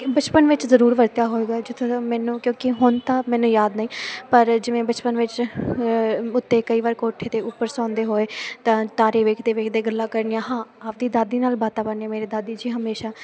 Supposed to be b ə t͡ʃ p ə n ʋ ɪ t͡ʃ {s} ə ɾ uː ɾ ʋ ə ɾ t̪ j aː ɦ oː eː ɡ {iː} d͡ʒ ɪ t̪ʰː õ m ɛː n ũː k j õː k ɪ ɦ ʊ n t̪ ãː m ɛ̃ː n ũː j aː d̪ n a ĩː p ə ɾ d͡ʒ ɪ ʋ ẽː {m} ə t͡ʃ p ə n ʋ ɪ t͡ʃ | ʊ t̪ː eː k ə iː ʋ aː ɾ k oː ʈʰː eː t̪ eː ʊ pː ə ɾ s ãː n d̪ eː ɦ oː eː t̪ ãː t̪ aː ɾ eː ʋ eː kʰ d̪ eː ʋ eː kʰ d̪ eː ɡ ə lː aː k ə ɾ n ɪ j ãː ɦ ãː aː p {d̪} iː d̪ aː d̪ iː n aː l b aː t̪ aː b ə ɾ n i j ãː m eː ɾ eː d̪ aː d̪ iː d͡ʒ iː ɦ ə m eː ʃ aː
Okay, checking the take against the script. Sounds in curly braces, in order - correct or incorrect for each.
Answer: incorrect: z, incorrect: aː, incorrect: b, correct

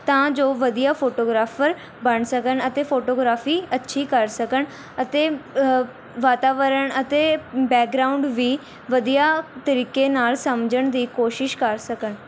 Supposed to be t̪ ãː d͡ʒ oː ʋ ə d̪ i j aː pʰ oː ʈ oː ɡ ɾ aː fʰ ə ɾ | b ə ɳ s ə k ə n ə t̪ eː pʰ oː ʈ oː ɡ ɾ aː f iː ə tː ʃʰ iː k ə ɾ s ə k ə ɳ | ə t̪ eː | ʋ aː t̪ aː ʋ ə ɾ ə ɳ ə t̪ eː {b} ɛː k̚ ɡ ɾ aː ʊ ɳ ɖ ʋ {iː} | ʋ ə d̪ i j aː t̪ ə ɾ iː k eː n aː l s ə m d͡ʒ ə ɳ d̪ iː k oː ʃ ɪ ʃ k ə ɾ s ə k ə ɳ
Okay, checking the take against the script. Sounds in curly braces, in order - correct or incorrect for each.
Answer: correct, correct

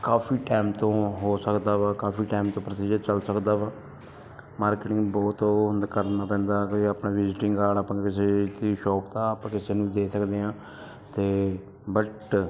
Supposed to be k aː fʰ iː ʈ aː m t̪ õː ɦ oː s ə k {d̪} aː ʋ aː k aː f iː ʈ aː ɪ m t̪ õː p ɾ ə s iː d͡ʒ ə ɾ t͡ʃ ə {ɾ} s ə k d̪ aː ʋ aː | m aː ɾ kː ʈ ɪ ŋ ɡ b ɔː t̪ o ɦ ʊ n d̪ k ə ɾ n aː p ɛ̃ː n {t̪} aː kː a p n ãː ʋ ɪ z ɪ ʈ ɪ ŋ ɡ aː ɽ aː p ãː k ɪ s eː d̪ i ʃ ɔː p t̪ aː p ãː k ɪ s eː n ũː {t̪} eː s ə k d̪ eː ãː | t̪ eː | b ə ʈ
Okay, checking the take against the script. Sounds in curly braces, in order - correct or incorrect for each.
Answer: correct, incorrect: l, incorrect: d̪, incorrect: d̪

